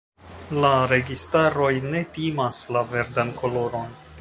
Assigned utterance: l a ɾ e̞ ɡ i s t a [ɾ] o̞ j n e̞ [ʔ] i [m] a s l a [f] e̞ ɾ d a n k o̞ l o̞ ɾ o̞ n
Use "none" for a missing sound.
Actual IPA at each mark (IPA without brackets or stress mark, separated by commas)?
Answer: ɾ, t, m, v